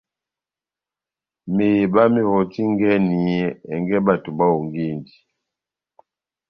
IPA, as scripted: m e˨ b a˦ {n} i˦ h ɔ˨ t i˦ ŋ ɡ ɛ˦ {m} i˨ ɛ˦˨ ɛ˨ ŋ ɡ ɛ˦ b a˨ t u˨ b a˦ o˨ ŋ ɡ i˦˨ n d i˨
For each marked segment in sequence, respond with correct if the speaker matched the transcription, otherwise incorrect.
incorrect, incorrect

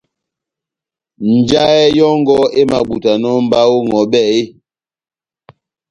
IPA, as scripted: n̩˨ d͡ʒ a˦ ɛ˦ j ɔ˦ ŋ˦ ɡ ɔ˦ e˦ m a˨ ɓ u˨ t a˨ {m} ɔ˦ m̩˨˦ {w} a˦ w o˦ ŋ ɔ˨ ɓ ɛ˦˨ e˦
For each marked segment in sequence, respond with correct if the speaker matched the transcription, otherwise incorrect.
incorrect, incorrect

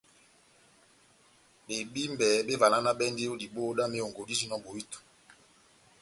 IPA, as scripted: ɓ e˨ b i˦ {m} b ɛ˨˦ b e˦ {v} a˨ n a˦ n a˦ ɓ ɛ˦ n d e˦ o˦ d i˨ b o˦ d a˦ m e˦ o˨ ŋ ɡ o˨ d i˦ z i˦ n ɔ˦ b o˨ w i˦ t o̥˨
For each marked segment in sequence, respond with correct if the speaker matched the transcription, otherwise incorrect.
correct, correct

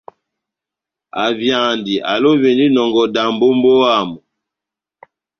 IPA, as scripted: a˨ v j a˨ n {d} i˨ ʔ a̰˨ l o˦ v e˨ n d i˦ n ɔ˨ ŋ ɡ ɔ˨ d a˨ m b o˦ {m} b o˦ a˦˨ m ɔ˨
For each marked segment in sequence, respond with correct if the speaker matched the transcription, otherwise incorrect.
correct, correct

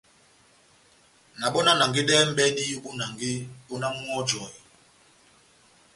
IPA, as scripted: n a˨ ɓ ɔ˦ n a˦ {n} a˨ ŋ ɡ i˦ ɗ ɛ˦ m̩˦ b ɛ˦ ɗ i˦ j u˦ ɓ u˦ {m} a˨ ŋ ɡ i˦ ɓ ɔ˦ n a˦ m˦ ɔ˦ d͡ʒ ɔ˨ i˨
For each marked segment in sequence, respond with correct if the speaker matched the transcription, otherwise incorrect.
correct, incorrect

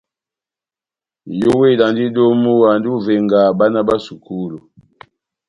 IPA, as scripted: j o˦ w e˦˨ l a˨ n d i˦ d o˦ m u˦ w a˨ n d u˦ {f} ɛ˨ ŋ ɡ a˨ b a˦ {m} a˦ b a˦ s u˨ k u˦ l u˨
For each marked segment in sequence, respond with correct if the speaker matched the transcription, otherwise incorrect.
incorrect, incorrect

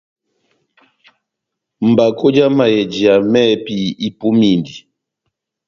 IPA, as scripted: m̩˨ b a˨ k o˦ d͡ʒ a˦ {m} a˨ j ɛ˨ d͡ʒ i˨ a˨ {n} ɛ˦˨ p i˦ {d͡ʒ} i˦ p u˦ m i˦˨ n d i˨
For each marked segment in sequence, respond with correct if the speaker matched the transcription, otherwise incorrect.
correct, incorrect, incorrect

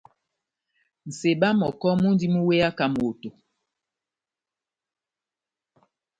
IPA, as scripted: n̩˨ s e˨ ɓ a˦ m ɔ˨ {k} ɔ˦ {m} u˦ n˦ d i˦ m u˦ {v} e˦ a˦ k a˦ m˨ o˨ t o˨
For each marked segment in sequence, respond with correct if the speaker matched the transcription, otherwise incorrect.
correct, correct, incorrect

